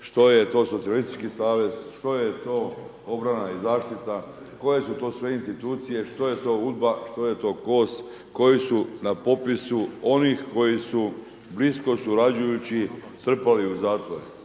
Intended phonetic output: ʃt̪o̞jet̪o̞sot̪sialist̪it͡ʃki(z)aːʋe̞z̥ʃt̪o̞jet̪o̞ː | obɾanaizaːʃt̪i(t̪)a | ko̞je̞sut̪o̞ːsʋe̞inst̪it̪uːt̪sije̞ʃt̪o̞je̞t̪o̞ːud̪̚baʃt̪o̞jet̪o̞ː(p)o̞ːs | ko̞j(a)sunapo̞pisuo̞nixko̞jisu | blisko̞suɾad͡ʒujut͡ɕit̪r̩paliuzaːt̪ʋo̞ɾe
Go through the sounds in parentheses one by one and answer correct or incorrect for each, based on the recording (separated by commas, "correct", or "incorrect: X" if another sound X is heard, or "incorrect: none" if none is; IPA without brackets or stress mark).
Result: incorrect: s, correct, incorrect: k, incorrect: i